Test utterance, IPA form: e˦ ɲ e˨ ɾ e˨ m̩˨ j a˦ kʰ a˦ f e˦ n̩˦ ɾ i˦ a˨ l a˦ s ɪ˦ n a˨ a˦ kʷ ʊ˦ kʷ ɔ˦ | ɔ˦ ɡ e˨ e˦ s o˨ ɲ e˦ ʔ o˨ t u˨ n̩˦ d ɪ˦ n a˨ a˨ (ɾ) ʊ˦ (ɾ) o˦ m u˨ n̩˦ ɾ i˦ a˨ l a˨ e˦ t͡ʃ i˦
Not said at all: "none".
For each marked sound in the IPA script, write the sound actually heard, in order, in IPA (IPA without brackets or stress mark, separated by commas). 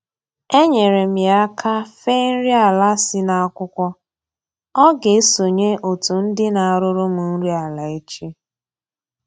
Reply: ɾ, ɾ